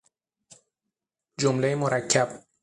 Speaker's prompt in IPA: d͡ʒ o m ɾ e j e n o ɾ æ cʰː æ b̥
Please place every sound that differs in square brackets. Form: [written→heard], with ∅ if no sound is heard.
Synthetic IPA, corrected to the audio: d͡ʒ o m [ɾ→l] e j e [n→m] o ɾ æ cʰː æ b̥